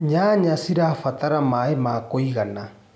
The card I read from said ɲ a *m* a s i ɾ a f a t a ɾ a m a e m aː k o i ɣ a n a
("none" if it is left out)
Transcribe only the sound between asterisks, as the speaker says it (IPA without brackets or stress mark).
ɲ